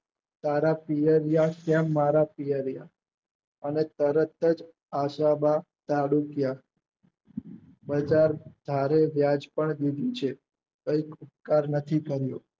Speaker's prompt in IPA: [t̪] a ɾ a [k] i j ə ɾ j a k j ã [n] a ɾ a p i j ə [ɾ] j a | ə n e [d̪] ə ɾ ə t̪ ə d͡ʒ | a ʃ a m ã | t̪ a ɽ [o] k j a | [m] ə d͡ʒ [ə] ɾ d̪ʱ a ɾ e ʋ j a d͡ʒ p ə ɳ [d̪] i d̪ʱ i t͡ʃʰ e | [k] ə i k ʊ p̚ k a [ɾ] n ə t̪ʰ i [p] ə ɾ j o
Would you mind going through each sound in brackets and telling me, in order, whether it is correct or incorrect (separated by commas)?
correct, incorrect, incorrect, correct, incorrect, incorrect, incorrect, incorrect, correct, correct, correct, incorrect